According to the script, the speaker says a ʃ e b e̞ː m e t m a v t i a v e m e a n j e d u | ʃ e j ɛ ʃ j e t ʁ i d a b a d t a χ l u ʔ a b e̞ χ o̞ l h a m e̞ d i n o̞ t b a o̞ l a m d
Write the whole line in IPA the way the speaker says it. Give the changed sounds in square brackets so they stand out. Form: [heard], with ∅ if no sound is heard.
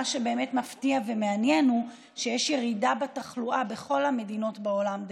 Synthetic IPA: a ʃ e b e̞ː m e t m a [f] t i a v e m e a n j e [n] u | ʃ e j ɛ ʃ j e [∅] ʁ i d a b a [∅] t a χ l u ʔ a b e̞ χ o̞ l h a m e̞ d i n o̞ t b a o̞ l a m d